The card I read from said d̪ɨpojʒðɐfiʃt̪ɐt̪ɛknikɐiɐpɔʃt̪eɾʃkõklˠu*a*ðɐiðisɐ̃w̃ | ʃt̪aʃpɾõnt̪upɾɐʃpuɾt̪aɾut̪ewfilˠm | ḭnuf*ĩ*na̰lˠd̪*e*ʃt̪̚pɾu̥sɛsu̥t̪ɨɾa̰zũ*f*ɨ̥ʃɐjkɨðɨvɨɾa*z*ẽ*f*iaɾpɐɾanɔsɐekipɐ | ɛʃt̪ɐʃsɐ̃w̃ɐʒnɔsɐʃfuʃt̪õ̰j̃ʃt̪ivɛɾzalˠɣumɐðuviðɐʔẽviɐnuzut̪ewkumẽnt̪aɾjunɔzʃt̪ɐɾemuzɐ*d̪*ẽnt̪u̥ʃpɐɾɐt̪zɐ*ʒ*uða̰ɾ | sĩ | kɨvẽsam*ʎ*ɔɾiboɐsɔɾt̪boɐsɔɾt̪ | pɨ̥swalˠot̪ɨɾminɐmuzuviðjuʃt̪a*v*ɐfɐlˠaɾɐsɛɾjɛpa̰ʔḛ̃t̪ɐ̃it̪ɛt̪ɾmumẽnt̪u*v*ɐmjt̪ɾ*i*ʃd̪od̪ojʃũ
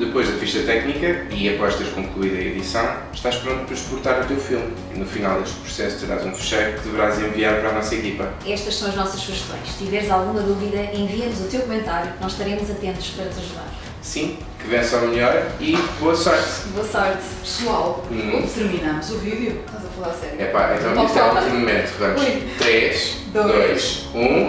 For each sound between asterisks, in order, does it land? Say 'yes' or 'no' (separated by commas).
no, no, yes, yes, yes, no, no, yes, yes, no, yes, no